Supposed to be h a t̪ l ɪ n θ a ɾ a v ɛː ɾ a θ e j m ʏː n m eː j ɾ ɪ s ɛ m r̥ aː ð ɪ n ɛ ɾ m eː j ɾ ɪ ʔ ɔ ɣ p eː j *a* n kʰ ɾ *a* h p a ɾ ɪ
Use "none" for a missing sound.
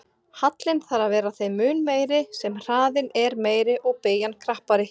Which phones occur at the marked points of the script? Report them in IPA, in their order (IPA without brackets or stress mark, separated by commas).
a, a